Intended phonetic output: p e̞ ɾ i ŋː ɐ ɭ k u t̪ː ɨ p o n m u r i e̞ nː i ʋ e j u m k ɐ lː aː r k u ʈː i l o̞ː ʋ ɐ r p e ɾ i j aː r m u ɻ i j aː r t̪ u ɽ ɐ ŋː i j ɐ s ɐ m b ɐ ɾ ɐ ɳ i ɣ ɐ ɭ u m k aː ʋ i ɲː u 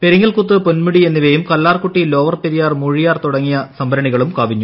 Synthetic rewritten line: p e̞ ɾ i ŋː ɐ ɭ k u t̪ː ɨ p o n m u ɽ i e̞ nː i ʋ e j u m k ɐ lː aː r k u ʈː i l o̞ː ʋ ɐ r p e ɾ i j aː r m u ɻ i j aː r t̪ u ɽ ɐ ŋː i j ɐ s ɐ m b ɐ ɾ ɐ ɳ i ɣ ɐ ɭ u m k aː ʋ i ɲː u